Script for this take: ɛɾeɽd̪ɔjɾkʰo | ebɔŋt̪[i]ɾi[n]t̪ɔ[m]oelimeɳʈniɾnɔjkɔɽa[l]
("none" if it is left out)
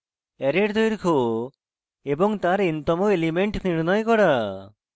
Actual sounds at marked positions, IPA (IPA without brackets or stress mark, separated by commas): a, n, m, none